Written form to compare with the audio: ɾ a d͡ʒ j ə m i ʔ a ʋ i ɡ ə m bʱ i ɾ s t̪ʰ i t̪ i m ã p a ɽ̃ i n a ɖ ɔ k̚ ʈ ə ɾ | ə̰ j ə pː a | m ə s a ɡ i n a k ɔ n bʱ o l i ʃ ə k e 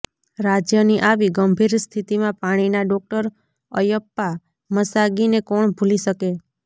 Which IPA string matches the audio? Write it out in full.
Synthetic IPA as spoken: ɾ a d͡ʒ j ə n i ʔ a ʋ i ɡ ə m bʱ i ɾ s t̪ʰ i t̪ i m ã p a ɽ̃ i n a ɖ ɔ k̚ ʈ ə ɾ | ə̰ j ə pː a | m ə s a ɡ i n e k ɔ ɳ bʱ u l i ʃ ə k e